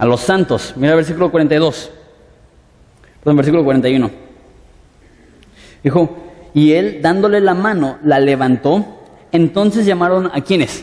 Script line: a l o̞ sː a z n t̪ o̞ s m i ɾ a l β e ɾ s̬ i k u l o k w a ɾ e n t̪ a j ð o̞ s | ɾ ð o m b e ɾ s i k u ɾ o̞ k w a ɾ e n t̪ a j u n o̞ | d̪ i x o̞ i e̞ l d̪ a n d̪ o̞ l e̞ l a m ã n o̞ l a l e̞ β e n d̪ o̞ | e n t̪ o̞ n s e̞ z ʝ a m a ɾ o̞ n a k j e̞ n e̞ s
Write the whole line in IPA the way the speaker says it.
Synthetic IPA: a l o̞ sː a n t̪ o̞ s m i ɾ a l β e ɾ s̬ i k u l o k w a ɾ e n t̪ a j ð o̞ s | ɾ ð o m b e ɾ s i k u l o̞ k w a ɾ e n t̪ a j u n o̞ | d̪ i x o̞ i e̞ l d̪ a n d̪ o̞ l e̞ l a m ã n o̞ l a l e̞ β a n t̪ o̞ | e n t̪ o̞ n s e̞ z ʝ a m a ɾ o̞ n a k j e̞ n e̞ s